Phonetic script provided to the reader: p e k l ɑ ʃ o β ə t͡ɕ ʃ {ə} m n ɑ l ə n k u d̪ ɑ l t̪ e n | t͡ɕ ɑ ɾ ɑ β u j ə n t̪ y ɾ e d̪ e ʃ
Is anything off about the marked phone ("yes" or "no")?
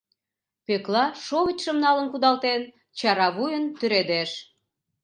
no